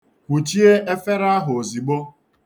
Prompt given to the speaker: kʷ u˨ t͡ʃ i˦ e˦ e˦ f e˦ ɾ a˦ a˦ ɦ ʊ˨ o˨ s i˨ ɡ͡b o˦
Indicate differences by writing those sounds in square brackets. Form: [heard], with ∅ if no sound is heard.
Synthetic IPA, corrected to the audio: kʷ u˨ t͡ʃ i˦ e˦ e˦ f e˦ ɾ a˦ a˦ ɦ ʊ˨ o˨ [z] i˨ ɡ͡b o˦